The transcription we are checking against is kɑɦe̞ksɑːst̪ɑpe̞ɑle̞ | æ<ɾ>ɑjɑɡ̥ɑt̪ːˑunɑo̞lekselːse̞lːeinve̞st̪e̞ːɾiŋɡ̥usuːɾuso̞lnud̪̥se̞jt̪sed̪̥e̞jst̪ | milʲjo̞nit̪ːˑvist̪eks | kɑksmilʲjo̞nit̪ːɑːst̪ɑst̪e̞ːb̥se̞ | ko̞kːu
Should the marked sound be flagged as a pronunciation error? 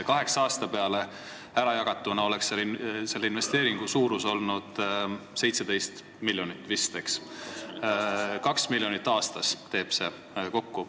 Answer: no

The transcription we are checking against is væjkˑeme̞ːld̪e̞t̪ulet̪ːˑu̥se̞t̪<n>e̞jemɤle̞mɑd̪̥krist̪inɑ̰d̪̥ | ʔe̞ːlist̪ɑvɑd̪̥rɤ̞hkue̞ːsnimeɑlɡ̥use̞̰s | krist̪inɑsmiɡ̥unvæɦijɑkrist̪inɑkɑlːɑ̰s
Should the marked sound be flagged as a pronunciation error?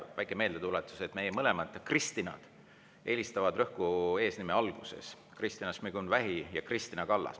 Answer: yes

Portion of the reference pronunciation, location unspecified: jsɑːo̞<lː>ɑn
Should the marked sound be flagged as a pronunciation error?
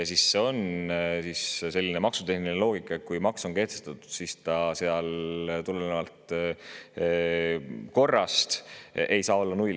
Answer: no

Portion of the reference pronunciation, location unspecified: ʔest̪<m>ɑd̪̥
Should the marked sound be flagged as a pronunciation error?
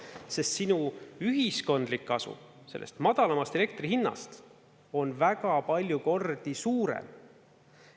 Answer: no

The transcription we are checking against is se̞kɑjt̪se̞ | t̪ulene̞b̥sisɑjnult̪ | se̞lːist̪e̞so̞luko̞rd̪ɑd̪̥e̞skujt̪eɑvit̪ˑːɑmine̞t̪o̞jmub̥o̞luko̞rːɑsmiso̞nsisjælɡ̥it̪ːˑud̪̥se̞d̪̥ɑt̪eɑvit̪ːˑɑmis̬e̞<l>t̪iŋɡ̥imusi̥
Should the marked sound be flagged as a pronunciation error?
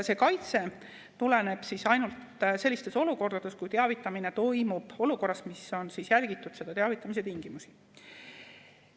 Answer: yes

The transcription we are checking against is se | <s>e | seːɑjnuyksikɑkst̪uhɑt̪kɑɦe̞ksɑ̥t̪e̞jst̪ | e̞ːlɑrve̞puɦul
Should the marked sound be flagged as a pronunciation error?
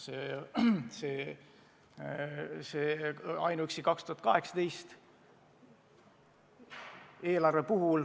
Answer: no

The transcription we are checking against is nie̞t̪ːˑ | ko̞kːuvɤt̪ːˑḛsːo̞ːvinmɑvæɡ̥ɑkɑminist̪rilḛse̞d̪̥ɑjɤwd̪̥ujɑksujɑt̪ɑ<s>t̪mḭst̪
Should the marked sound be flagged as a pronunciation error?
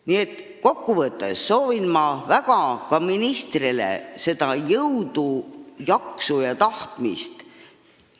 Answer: yes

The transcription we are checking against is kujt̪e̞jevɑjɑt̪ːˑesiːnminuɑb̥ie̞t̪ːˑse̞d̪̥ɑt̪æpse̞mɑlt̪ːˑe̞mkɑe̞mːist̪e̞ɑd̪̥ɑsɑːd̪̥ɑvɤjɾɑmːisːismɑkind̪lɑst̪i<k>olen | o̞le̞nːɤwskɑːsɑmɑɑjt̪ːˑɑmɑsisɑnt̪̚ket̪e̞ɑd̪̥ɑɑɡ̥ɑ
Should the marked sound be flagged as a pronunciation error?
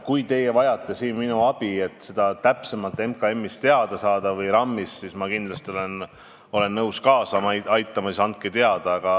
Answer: yes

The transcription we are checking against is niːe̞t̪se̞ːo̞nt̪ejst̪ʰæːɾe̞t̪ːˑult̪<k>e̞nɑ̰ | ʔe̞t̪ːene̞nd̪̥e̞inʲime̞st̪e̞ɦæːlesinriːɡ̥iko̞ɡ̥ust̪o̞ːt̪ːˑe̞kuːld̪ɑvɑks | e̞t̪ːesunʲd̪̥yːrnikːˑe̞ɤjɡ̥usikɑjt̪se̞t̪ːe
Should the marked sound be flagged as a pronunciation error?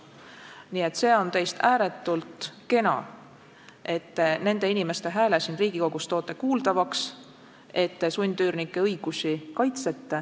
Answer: no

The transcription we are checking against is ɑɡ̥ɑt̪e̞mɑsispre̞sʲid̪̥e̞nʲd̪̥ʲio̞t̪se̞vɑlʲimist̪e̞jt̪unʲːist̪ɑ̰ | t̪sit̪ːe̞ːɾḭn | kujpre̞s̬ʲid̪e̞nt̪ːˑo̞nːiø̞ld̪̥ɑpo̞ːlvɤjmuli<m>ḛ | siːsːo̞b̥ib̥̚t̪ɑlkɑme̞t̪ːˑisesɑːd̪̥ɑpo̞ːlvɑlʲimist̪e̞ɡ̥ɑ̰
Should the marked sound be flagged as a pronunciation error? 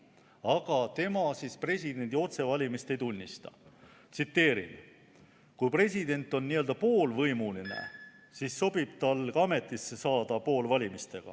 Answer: yes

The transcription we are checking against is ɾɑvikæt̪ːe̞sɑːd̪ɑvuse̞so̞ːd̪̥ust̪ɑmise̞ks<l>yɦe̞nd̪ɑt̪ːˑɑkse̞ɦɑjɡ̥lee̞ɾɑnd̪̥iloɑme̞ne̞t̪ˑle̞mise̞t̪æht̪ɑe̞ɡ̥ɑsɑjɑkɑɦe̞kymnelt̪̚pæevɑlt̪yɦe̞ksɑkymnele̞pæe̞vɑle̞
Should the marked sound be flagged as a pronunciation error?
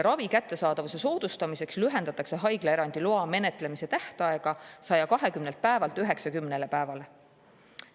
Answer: no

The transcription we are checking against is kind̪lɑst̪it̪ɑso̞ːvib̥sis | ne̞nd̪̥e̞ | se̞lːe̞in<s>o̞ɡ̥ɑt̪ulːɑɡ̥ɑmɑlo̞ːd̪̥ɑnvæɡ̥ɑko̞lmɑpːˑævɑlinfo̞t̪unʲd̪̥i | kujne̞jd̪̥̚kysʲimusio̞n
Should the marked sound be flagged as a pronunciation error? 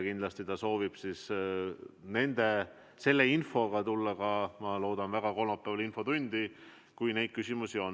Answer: yes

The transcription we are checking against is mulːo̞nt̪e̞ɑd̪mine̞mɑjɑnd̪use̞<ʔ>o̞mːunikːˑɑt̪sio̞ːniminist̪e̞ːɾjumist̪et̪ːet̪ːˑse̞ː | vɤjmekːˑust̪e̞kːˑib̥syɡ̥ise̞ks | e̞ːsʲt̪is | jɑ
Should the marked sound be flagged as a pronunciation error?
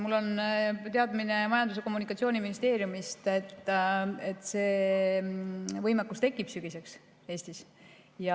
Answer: yes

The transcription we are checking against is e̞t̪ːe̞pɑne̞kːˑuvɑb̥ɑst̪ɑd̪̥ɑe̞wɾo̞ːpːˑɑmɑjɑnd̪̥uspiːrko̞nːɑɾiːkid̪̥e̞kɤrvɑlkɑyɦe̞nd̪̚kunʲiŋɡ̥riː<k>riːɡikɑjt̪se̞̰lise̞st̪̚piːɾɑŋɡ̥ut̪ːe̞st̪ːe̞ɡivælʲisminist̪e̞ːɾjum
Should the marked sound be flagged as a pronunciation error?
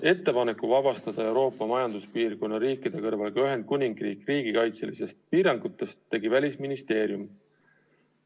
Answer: no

